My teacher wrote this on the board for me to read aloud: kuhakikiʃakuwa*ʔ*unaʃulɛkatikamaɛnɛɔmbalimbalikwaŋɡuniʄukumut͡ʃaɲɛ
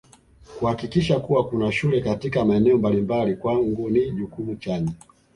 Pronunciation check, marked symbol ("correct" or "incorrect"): incorrect